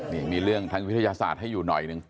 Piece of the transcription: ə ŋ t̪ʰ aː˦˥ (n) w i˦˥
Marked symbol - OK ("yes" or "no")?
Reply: no